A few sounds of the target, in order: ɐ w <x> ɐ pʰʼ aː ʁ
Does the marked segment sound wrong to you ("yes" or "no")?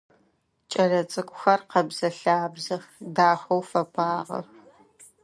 yes